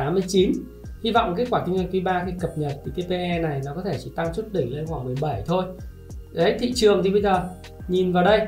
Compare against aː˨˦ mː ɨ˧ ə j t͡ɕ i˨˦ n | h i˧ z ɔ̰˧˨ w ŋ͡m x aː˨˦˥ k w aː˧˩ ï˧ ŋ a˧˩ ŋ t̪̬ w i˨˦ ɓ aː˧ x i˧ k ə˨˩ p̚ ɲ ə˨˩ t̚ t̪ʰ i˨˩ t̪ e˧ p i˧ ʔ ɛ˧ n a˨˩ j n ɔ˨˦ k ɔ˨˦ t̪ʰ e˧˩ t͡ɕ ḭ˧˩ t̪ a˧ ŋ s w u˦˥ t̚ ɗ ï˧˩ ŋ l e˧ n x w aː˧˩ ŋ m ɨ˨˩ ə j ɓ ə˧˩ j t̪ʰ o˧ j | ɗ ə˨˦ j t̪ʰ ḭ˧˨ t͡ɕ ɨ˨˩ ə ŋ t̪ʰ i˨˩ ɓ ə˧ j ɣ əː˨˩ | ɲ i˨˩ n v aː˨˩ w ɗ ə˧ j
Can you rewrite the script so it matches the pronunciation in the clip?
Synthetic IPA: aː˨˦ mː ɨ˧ ə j t͡ɕ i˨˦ n | h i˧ v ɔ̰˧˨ w ŋ͡m k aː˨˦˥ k w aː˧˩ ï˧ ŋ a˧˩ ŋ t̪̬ w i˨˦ ɓ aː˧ x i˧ k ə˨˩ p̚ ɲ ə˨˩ t̚ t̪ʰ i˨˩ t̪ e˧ p e˧ ʔ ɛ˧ n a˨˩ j n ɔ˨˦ k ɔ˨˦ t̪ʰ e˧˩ t͡ɕ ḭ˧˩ t̪ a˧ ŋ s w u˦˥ t̚ ɗ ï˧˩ ŋ l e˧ n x w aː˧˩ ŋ m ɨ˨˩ ə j ɓ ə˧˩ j t̪ʰ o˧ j | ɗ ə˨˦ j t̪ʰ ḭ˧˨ t͡ɕ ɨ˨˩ ə ŋ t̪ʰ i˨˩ ɓ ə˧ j z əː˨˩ | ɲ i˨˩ n v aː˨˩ w ɗ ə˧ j